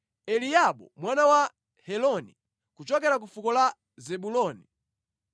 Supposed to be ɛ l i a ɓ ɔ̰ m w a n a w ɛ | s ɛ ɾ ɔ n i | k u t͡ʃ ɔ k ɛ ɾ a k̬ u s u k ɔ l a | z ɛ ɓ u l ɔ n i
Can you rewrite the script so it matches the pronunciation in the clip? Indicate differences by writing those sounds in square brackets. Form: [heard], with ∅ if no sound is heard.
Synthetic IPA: ɛ l i a ɓ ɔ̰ m w a n a w [a] | [h] ɛ [l] ɔ n i | k u t͡ʃ ɔ k ɛ ɾ a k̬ u [f] u k ɔ l a | z ɛ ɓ u l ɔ n i